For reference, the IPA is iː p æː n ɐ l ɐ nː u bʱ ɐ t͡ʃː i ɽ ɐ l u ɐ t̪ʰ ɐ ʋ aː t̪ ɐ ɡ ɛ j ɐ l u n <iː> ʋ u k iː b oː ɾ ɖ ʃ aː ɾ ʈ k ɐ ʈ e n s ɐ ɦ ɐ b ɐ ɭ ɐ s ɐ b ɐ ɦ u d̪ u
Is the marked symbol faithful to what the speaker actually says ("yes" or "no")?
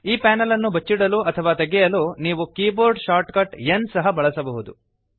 yes